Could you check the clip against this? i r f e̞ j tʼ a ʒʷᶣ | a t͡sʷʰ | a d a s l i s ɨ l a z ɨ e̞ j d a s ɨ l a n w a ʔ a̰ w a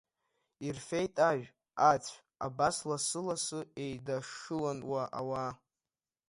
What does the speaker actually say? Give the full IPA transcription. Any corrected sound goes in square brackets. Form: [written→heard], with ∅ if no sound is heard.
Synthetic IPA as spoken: i r f e̞ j tʼ a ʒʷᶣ | a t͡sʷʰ | a [d→b] a s l [i→a] s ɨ l a [z→s] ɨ e̞ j d a [s→ʂ] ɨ l a n w a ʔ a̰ w a